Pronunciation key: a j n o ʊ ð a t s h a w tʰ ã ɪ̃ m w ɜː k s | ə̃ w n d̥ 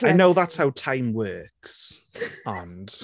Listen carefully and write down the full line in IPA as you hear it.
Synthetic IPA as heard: a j n o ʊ ð a t s h a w tʰ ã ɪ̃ m w ɜː k s | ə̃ n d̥